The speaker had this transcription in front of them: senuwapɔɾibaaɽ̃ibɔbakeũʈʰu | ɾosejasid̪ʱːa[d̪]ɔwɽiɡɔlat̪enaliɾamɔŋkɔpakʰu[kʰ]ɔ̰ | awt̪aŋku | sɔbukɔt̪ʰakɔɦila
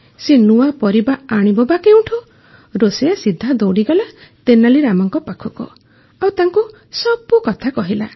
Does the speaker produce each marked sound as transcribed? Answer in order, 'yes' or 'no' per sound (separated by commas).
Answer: yes, no